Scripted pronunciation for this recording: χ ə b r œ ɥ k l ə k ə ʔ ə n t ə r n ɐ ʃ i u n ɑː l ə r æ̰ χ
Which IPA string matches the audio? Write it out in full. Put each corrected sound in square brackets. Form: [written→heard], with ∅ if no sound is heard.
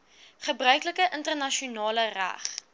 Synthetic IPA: χ ə b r œ ɥ k l ə k ə ʔ ə n t ə r n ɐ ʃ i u n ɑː l ə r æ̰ χ

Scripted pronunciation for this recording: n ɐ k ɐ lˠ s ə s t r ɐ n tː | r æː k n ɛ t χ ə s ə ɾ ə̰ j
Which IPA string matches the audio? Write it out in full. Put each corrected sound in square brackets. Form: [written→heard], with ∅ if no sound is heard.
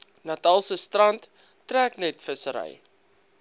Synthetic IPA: n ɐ [k→t] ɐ lˠ s ə s t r ɐ n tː | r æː k n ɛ t [χ→f] ə s ə ɾ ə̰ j

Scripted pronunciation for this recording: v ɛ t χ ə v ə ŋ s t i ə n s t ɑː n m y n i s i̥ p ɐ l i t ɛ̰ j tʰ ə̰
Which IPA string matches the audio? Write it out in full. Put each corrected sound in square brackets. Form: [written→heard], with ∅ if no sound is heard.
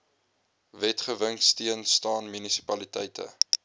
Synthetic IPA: v ɛ t χ ə v ə ŋ s t i ə n s t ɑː n m y n i s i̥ p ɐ l i t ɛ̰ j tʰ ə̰

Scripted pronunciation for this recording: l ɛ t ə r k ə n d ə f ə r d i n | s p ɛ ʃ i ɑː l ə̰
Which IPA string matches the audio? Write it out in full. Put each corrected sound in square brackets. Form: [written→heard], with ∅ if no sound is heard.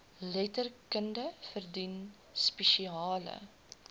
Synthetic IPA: l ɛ t ə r k ə n d ə f ə r d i n | s p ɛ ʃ i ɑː l ə̰

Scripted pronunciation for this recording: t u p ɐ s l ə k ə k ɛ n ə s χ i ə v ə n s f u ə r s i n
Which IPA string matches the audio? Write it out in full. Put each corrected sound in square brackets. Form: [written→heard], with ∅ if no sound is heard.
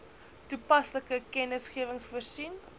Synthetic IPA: t u p ɐ s l ə k ə k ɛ n ə s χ i ə v ə [n→ŋ] s f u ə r s i n

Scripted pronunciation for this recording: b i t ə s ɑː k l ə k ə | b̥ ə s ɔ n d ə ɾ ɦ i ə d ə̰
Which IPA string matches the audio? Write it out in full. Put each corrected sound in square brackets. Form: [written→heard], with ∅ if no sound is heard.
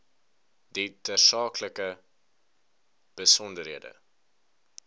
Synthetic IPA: [b→d] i t ə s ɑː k l ə k ə | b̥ ə s ɔ n d ə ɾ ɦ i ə d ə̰

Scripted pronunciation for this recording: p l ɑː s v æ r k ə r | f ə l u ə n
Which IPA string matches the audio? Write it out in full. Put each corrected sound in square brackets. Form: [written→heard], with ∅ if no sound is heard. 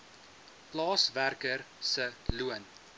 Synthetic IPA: p l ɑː s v æ r k ə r | [f→s] ə l u ə n

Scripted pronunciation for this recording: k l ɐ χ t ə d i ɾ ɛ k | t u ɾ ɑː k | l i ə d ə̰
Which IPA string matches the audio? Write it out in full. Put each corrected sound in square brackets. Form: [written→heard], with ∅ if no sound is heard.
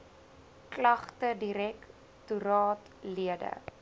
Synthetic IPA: k l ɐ χ t ə d i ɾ ɛ k | t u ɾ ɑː [k→t] | l i ə d ə̰

